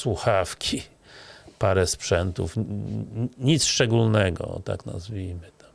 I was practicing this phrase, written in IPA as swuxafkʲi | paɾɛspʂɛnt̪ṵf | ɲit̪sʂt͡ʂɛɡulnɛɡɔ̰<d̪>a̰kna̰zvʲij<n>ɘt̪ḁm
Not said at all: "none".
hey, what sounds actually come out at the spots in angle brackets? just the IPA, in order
t̪, m

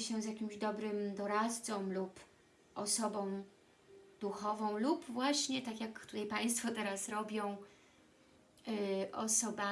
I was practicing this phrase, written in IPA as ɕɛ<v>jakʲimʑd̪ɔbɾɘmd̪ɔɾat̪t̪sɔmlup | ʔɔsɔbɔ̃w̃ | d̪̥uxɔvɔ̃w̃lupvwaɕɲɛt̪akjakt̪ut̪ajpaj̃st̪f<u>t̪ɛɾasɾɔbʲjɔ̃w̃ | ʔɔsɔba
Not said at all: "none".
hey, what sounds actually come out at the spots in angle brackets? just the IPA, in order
z, ɔ

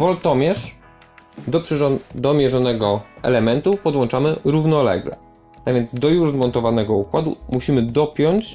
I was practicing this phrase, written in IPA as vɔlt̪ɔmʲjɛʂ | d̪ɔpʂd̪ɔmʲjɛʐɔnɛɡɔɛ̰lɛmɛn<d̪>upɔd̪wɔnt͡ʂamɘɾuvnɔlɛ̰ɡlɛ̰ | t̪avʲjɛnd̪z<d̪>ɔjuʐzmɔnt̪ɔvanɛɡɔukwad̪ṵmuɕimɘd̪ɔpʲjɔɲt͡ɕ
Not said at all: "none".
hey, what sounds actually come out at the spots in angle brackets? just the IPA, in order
t̪, d̪

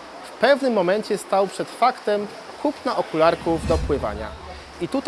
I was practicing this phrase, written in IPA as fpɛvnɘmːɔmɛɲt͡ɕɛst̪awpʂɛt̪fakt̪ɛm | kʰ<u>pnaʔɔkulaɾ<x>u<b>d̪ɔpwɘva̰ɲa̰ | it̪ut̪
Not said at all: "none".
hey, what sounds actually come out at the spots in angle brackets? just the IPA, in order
u, k, v

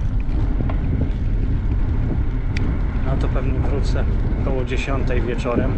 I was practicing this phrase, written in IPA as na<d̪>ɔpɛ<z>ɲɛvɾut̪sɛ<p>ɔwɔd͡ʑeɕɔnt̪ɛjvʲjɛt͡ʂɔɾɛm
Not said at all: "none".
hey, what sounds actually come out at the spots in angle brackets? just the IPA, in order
t̪, v, k

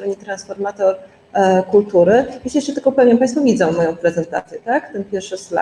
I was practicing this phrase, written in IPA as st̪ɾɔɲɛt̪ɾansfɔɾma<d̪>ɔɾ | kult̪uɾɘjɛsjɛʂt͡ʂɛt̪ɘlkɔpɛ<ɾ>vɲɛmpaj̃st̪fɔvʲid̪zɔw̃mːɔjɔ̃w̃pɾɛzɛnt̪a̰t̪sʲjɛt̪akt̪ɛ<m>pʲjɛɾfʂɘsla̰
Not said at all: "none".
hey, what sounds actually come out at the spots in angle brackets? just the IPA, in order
t̪, none, n

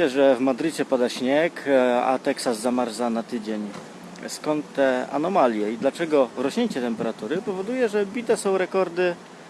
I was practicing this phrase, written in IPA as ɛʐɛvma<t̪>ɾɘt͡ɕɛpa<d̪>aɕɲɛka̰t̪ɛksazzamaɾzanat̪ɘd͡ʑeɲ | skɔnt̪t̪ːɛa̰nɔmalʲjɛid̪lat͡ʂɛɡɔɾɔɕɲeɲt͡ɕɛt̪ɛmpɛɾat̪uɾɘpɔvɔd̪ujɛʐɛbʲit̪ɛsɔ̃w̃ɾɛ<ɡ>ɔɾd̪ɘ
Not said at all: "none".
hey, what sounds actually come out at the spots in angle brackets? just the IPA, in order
d̪, d̪, k

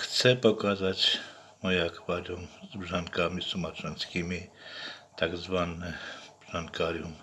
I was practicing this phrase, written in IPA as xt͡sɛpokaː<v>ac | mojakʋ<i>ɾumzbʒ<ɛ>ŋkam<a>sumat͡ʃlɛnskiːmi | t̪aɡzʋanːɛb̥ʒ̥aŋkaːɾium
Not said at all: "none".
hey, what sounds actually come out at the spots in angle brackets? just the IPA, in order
z, a, a, i

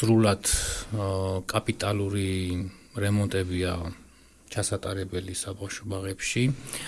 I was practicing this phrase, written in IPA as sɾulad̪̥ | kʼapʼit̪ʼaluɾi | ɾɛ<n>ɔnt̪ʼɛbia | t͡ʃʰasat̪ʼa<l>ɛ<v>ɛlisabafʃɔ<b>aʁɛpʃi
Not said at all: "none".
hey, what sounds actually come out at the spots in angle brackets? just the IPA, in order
m, ɾ, b, b

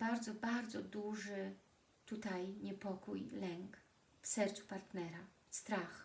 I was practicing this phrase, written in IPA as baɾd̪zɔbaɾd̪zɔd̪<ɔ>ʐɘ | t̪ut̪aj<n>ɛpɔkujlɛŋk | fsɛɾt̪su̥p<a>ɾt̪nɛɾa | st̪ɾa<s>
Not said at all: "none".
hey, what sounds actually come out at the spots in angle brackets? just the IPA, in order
u, ɲ, a, x

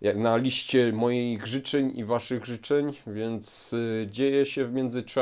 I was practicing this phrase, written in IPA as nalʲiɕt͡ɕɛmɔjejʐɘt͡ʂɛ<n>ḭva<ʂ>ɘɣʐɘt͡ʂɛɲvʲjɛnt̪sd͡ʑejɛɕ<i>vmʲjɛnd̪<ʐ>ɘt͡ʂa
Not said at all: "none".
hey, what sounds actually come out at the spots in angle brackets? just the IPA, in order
ɲ, ʂ, ɛ, z

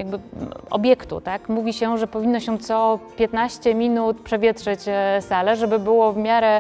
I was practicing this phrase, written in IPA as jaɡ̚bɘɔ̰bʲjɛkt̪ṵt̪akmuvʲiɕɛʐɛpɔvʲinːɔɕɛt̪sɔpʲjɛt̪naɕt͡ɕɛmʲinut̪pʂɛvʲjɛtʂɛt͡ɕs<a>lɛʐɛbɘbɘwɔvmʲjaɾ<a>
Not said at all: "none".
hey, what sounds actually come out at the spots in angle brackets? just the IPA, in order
a, ɛ

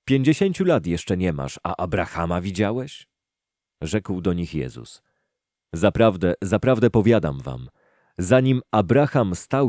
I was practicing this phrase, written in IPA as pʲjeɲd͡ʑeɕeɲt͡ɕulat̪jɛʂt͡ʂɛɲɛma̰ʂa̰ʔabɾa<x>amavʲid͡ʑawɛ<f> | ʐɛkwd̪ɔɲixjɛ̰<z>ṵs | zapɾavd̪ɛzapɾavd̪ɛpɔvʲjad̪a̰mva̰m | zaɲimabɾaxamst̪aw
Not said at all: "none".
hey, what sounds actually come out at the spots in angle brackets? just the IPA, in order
x, ɕ, z

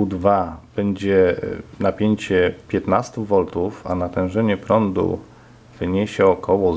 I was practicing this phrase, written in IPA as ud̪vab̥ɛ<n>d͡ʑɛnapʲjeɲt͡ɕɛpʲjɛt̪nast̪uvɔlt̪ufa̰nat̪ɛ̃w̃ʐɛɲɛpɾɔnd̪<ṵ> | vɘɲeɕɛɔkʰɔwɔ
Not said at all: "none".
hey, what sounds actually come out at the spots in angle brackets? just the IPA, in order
ɲ, ṵ

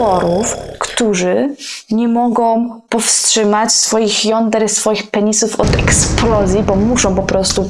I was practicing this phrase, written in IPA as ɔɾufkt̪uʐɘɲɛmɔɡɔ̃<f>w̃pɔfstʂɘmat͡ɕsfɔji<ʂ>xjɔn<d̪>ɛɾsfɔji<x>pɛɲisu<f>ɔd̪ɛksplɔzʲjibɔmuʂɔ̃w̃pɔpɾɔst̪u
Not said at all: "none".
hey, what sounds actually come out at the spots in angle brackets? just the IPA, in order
none, none, d̪, x, f

